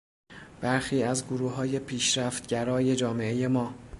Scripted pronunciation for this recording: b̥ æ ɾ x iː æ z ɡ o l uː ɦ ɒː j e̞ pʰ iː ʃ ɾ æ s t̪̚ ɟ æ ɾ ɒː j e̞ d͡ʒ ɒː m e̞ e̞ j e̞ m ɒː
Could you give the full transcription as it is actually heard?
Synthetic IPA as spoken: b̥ æ ɾ x iː æ z ɡ o ɾ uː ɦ ɒː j e̞ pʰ iː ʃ ɾ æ f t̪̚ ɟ æ ɾ ɒː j e̞ d͡ʒ ɒː m e̞ e̞ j e̞ m ɒː